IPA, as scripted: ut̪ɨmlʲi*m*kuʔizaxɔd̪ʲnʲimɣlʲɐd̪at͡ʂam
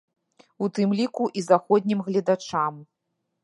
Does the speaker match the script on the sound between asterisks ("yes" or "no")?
no